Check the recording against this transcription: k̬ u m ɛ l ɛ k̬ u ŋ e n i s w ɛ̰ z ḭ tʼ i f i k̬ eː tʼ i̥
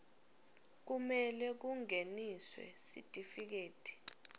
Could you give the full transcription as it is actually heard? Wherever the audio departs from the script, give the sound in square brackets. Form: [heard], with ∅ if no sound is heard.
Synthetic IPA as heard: k̬ u m ɛ l ɛ k̬ u ŋ e n i s w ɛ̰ [s] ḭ tʼ i f i k̬ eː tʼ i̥